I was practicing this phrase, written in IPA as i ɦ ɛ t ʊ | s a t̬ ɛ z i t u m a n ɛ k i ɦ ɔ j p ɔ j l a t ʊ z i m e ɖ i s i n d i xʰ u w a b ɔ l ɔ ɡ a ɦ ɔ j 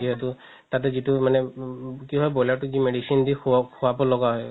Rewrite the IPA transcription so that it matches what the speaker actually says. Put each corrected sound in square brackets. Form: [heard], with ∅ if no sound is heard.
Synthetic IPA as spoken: i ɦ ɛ t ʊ | [t] a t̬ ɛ z i t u m a n ɛ k i ɦ ɔ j [b] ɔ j l a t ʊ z i m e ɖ i s i n d i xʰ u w a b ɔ l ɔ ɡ a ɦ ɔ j